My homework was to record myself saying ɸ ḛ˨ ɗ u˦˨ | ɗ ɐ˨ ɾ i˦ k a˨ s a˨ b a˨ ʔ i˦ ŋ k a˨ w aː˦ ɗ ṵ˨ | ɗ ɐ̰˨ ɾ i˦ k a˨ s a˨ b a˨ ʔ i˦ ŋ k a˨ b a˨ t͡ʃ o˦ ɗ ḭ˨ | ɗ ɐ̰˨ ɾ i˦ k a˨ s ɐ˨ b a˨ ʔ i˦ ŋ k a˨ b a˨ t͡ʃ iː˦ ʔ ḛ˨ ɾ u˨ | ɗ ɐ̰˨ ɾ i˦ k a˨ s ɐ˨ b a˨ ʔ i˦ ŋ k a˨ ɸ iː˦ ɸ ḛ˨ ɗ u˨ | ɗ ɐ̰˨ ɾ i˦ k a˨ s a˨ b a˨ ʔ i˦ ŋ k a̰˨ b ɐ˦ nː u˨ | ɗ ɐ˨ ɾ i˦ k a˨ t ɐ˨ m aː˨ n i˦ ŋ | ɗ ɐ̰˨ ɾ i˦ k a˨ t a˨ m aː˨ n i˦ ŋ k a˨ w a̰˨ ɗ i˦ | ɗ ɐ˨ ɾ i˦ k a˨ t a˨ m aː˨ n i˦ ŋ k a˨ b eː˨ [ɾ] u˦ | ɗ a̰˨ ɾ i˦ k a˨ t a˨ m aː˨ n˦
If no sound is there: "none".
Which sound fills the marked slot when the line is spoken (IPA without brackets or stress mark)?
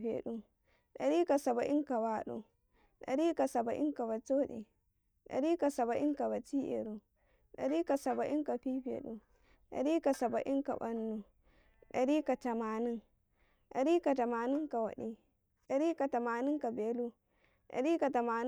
l